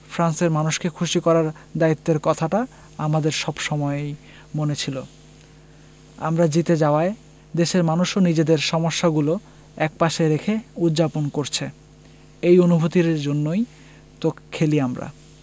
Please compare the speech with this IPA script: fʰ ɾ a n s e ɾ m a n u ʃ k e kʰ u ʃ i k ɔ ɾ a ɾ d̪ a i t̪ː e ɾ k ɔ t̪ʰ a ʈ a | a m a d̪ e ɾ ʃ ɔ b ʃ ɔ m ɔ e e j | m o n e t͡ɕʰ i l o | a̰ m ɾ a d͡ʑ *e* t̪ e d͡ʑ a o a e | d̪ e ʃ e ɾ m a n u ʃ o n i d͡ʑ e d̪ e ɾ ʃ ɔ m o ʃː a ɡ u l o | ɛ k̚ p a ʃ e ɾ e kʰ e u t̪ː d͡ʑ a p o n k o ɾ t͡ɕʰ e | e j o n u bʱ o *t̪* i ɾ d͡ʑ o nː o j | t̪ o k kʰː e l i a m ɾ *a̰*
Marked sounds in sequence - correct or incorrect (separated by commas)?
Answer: incorrect, correct, correct